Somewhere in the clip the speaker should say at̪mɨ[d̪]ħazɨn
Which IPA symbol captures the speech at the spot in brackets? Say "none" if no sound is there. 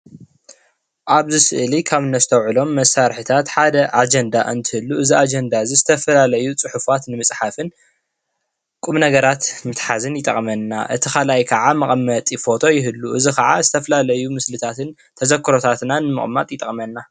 t̪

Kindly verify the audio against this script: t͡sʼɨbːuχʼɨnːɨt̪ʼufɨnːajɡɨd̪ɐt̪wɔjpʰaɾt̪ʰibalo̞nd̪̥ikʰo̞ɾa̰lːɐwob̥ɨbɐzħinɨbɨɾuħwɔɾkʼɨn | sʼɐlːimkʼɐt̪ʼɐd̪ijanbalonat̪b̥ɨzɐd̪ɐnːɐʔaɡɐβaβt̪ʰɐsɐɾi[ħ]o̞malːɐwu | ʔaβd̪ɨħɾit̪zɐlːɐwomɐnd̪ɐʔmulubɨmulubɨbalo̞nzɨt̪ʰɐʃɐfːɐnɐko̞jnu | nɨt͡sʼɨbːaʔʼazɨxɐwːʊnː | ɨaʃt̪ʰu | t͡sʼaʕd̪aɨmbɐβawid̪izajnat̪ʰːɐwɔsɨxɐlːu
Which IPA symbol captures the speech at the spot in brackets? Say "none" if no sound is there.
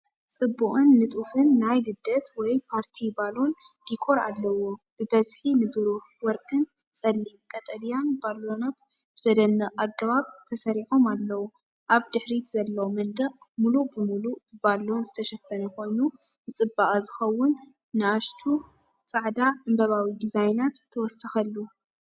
ħ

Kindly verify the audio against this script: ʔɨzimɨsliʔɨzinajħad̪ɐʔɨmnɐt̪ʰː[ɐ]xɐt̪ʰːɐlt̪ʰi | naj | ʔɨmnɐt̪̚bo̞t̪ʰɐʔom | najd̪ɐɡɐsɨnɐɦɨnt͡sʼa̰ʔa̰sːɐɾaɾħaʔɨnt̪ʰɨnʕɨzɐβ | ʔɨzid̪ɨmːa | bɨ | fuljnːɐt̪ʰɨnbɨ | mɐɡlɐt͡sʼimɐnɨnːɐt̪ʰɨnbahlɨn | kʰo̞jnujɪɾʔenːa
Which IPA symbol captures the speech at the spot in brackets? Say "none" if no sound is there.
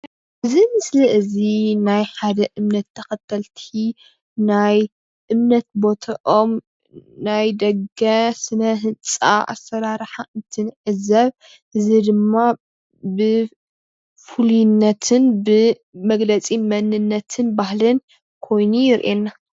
ɐ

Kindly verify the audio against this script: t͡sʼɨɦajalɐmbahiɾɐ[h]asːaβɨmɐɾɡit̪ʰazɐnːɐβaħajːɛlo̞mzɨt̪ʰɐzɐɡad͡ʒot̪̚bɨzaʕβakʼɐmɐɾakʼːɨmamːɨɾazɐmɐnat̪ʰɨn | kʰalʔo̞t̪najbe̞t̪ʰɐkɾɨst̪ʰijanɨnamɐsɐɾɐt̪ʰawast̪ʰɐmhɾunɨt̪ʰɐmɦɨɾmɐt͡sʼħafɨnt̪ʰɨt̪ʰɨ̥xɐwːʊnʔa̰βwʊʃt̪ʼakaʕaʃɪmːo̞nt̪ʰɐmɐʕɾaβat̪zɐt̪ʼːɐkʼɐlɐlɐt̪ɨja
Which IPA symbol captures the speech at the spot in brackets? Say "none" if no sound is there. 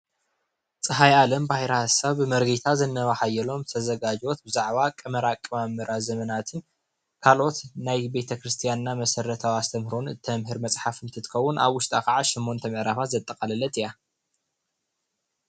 h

